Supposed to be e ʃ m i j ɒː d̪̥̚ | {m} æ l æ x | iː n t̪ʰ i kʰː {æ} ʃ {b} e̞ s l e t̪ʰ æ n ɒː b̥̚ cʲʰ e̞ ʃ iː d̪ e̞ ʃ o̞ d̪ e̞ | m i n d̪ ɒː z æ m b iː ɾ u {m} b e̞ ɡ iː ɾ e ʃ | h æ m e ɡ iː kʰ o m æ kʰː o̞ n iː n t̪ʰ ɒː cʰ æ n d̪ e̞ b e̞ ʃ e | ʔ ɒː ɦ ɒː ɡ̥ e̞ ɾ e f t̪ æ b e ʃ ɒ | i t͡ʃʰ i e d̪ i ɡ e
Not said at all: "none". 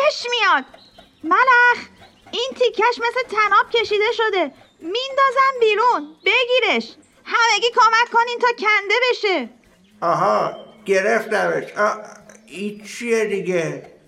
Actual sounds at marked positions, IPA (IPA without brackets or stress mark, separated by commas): m, æ, m, n